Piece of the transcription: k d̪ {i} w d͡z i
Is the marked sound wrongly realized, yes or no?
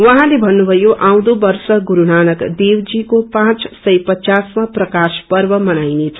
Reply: yes